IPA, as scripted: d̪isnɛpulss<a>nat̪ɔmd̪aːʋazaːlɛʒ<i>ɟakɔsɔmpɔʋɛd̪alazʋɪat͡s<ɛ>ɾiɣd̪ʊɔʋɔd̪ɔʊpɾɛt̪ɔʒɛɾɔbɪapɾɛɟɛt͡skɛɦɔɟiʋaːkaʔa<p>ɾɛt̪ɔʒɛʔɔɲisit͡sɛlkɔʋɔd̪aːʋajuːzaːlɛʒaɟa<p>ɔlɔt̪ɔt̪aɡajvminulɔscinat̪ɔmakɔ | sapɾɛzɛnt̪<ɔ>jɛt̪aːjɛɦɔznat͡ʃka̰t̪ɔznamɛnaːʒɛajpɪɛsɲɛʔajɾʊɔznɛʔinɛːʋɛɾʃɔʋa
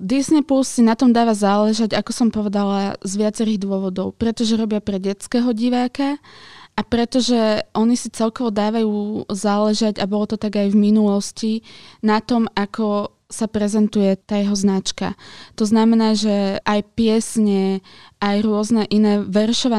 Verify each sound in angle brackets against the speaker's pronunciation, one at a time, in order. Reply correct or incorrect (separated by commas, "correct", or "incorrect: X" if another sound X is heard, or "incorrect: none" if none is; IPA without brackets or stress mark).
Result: incorrect: i, incorrect: a, correct, correct, incorrect: b, incorrect: u